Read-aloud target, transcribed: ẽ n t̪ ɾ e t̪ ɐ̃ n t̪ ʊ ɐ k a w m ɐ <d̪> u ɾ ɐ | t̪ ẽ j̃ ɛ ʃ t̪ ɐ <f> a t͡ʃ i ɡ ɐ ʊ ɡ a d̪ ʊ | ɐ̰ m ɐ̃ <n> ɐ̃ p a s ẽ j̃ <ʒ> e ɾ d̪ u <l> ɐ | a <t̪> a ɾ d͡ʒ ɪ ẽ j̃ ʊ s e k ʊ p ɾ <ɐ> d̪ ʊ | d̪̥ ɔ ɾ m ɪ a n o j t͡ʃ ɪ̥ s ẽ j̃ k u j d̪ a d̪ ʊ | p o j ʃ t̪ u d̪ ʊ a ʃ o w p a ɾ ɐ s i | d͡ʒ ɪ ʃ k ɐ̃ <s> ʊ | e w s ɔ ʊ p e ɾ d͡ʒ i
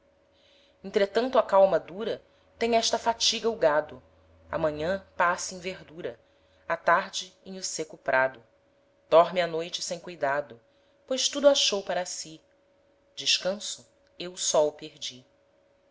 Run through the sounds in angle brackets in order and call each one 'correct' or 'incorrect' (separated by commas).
correct, correct, incorrect, incorrect, incorrect, correct, incorrect, correct